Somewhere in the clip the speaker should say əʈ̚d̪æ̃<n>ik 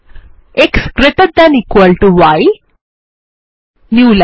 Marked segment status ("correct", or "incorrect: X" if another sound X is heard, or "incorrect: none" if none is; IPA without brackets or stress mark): correct